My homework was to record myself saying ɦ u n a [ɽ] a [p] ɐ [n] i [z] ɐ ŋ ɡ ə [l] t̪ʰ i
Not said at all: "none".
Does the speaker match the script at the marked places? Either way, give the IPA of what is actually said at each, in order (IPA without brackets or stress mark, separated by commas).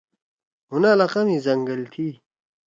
l, q, m, z, l